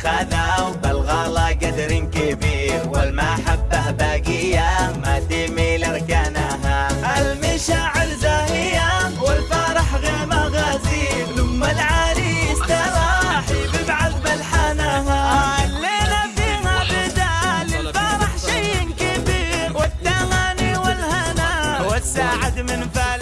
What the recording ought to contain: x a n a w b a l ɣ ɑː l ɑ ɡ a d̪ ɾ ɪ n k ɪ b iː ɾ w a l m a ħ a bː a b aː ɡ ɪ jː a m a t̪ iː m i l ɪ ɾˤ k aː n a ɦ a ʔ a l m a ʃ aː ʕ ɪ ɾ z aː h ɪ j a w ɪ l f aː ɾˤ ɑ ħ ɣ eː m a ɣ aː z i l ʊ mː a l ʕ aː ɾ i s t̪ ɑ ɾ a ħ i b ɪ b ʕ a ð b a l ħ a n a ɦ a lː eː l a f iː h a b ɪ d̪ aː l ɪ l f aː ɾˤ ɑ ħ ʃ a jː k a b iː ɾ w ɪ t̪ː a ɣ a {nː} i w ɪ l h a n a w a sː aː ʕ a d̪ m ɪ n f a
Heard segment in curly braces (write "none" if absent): n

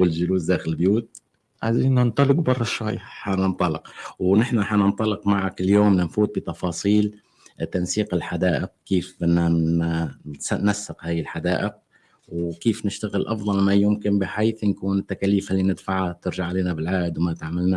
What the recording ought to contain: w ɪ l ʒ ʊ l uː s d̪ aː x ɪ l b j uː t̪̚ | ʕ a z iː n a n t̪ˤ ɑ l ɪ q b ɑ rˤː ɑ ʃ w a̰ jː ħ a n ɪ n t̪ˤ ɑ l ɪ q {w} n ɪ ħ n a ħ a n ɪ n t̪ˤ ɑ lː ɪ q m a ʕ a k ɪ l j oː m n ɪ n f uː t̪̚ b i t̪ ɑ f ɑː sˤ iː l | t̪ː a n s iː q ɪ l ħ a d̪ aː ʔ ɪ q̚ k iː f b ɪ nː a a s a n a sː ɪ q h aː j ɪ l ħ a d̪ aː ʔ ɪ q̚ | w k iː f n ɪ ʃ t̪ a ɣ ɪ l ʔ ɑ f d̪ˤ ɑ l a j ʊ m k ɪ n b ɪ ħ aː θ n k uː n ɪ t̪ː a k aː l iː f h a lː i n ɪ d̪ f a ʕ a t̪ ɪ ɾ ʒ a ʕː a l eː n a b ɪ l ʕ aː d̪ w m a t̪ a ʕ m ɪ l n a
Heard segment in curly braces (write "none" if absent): w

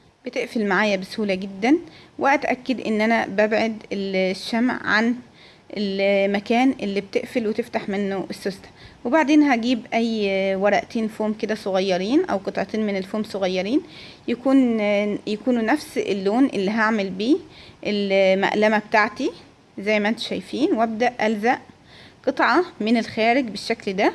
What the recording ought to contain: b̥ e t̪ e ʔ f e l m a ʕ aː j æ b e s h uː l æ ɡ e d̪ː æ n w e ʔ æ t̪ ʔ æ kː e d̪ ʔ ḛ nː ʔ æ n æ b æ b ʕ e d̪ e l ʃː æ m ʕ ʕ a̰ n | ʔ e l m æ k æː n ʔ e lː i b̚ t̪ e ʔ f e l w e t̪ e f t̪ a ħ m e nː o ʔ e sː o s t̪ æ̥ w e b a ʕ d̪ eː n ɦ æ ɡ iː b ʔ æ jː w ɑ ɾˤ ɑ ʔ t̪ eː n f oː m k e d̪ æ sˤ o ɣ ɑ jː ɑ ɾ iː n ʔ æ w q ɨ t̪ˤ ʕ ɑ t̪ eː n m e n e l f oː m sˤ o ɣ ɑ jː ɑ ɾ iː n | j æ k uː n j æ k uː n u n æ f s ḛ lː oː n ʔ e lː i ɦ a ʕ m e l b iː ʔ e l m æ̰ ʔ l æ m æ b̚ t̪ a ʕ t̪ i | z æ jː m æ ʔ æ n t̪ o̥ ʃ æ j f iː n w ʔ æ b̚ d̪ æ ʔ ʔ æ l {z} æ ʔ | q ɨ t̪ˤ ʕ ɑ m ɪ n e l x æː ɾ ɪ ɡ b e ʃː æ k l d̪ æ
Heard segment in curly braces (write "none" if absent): z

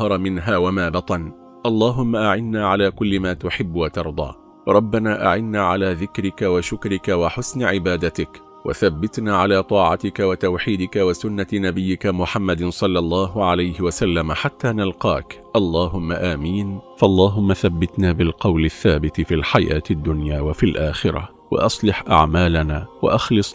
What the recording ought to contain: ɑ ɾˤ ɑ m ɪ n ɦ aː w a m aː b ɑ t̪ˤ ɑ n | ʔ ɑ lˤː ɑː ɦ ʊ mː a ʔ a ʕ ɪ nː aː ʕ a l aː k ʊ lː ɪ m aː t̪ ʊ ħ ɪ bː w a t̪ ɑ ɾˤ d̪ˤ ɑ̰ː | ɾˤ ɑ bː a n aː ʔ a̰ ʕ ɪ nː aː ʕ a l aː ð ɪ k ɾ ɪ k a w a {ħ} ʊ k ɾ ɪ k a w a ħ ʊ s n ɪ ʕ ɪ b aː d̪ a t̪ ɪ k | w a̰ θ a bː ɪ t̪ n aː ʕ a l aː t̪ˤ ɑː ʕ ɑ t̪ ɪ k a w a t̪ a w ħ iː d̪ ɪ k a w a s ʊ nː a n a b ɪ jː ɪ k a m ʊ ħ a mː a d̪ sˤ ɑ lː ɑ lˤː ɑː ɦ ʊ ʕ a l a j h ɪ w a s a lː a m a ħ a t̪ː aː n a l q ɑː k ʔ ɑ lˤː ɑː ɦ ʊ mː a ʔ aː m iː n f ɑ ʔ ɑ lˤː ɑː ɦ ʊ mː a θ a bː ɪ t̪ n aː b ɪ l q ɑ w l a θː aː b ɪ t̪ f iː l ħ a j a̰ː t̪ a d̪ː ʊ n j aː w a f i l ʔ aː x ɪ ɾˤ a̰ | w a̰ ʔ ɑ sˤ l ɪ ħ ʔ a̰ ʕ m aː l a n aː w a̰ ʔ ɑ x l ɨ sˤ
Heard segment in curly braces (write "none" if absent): ʃ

